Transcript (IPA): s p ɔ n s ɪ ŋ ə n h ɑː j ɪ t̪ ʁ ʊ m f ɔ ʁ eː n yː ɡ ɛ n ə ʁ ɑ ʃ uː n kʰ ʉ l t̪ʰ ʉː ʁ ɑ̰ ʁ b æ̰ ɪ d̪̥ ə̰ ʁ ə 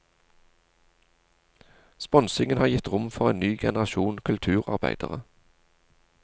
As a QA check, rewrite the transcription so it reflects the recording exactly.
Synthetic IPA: s p ɔ n s ɪ ŋ ə n h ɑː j ɪ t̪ ʁ ʊ m f ɔ ʁ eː n yː ɡ ɛ n ə ʁ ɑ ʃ uː n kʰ ʉ l t̪ʰ ʉː ʁ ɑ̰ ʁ b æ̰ ɪ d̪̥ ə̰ ʁ ə